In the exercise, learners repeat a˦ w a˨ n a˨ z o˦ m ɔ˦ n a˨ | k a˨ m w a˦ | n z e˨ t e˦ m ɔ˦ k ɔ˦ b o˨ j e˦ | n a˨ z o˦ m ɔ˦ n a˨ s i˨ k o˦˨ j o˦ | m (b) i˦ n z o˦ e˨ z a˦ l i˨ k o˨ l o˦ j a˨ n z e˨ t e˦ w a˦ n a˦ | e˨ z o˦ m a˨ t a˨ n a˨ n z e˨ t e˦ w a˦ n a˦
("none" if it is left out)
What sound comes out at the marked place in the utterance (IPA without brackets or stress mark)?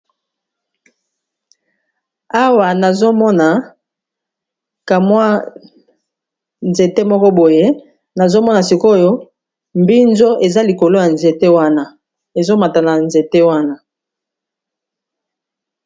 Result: b